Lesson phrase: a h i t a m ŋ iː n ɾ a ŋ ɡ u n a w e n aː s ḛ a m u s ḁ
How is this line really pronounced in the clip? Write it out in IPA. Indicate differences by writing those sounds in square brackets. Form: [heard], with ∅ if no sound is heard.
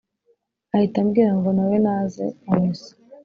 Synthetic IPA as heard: a h i t a m [ɡ] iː [∅] ɾ a ŋ ɡ [o] n a w e n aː [z] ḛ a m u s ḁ